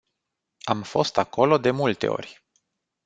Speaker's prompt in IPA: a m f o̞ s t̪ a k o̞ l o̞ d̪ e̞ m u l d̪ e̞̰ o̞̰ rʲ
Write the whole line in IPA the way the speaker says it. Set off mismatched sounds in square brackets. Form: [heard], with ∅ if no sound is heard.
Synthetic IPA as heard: a m f o̞ s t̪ a k o̞ l o̞ d̪ e̞ m u l [t̪] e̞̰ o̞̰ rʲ